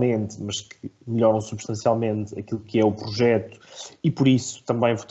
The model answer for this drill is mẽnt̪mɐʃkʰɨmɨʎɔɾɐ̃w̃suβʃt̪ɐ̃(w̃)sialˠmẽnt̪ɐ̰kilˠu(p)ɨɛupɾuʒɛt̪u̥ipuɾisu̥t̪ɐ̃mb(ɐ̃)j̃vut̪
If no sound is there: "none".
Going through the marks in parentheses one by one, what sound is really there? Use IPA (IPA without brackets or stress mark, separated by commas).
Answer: none, k, ɐ̃